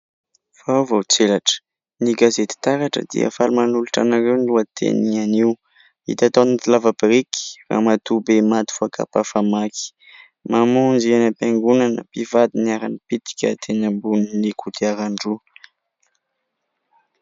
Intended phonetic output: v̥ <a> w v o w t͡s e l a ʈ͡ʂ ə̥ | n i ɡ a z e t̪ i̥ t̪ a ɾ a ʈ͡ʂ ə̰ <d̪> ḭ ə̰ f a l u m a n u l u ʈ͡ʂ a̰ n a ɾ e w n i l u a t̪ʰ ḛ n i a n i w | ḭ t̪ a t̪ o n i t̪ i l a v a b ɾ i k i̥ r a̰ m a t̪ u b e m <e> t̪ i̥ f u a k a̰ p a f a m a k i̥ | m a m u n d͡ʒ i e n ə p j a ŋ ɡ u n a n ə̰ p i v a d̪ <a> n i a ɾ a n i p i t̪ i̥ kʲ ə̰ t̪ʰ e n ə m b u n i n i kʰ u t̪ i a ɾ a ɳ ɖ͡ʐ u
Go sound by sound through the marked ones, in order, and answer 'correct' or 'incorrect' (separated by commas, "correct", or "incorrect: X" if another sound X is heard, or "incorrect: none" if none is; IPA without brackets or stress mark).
correct, correct, incorrect: a, incorrect: i